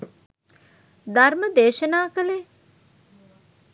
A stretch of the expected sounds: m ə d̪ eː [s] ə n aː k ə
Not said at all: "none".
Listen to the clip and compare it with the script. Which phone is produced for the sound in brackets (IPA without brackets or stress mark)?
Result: ʃ